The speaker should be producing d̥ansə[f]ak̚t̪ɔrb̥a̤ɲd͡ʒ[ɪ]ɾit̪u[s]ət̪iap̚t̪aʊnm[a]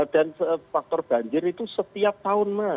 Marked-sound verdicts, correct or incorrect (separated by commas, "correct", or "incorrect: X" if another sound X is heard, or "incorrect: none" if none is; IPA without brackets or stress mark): correct, correct, correct, correct